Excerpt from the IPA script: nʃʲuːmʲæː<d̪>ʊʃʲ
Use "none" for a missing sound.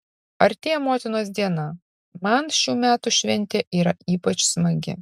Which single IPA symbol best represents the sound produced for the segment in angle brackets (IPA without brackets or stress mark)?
t̪